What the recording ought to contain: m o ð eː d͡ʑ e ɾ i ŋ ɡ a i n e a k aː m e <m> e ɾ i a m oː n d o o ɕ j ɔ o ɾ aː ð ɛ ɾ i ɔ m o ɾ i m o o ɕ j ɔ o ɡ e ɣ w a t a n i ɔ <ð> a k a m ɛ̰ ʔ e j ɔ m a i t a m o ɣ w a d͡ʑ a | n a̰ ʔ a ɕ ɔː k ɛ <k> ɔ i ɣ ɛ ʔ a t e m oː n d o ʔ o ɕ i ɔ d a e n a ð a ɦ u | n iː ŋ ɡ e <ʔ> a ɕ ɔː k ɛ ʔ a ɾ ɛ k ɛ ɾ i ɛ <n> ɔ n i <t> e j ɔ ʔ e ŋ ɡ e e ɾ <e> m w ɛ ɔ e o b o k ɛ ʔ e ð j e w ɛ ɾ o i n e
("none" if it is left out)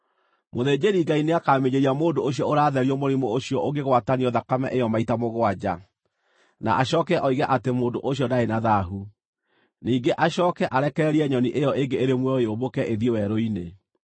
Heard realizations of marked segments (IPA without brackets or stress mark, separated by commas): ɲ, ð, ʔ, ʔ, ɲ, ʔ, e